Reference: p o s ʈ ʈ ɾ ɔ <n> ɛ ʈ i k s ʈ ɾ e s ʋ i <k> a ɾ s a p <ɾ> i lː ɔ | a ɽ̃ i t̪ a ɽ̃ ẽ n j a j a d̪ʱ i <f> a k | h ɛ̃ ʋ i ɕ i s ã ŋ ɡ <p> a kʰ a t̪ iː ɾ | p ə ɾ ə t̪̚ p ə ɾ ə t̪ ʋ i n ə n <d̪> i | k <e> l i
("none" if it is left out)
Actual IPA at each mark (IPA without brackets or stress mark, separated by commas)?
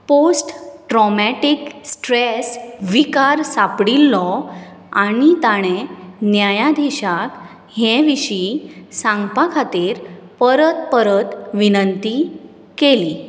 m, k, ɽ, ɕ, p, t̪, e